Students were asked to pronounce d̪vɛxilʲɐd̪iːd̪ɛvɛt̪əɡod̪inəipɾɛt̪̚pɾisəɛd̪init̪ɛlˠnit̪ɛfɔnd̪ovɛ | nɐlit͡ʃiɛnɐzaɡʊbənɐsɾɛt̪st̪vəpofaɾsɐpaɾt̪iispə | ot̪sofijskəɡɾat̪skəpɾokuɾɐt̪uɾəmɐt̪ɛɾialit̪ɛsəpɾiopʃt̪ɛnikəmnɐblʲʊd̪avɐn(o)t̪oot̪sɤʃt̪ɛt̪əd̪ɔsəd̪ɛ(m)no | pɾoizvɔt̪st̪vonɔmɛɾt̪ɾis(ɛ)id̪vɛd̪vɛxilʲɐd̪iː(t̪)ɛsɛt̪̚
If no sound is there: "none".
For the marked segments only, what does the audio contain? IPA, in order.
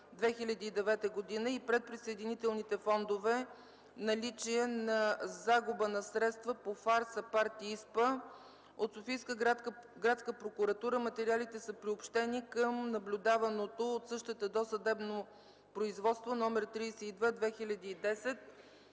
o, b, ɛ, d̪

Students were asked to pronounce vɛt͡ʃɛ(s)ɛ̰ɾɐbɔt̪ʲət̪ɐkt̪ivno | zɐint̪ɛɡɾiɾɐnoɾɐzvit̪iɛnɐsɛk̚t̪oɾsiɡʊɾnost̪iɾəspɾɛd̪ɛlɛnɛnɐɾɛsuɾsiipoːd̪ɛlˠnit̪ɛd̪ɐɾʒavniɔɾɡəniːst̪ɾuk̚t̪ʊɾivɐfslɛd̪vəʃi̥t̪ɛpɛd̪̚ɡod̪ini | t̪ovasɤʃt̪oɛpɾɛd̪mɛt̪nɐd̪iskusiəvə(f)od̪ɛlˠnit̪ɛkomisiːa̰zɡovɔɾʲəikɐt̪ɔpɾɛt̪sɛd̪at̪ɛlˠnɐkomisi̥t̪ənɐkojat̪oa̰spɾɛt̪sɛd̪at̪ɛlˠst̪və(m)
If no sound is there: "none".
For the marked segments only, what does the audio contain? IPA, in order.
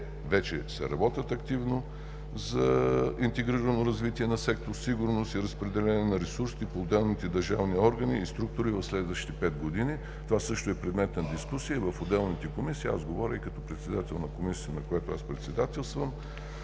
s, f, m

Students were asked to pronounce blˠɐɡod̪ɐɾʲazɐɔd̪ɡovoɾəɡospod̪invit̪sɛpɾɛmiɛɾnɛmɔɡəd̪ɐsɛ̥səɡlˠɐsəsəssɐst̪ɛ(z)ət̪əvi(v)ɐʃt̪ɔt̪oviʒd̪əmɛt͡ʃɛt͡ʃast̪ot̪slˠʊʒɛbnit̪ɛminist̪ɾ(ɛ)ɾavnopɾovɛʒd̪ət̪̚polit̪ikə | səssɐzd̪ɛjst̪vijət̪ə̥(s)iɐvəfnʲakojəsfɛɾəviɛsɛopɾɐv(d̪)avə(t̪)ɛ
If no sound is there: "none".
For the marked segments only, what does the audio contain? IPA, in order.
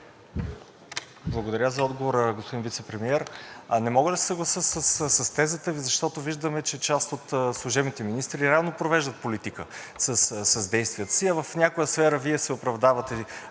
z, z, i, s, d̪, t̪

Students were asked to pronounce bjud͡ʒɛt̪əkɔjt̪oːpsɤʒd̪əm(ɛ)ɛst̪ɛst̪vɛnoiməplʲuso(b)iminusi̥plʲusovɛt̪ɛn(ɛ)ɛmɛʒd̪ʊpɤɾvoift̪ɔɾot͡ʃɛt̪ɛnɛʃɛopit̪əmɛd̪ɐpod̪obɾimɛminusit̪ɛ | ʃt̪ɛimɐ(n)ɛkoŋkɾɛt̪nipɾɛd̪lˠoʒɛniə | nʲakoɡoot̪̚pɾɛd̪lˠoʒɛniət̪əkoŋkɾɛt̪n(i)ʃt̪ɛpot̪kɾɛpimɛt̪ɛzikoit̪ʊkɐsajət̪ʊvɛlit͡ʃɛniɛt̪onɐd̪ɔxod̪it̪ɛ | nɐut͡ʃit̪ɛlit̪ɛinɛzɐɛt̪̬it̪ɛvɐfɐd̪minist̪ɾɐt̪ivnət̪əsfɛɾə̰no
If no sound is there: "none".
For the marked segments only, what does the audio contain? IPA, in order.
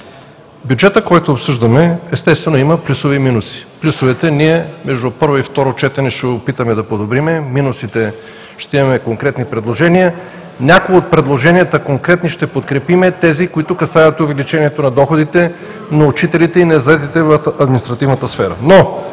ɛ, v, i, m, i

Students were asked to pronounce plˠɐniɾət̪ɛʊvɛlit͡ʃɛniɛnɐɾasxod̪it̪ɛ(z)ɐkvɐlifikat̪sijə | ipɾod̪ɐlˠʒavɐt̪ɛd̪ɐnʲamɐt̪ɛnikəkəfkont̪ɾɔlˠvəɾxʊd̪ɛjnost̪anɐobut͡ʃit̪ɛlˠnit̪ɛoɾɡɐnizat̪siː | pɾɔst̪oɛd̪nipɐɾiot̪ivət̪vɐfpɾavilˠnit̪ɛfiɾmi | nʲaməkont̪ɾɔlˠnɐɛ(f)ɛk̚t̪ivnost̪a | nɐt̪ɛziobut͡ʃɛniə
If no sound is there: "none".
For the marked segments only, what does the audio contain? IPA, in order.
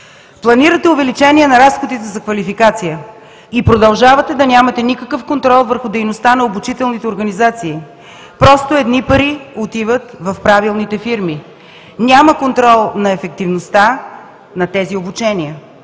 z, f

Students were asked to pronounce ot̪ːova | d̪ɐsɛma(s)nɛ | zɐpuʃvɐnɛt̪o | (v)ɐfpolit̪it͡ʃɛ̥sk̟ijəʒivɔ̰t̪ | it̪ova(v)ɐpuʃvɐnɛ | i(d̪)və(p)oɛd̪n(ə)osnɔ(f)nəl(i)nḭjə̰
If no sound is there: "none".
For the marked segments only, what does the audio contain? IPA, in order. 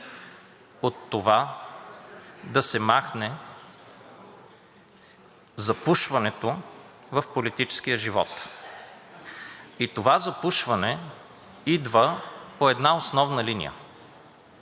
x, v, z, d̪, p, a, v, i

